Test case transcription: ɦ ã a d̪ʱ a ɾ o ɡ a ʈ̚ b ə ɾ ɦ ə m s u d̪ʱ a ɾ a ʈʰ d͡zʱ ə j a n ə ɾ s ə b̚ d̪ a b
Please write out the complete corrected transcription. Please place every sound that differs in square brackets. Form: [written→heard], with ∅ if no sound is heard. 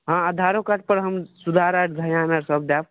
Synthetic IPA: ɦ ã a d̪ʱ a ɾ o [ɡ→k] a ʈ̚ [b→p] ə ɾ ɦ ə m s u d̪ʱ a ɾ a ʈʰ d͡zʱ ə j a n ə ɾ s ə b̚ d̪ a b